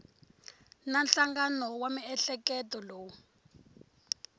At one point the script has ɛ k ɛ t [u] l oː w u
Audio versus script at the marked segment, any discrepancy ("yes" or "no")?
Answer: yes